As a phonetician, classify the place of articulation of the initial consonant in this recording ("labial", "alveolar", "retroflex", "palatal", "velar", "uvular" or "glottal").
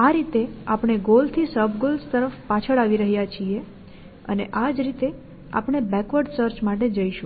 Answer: alveolar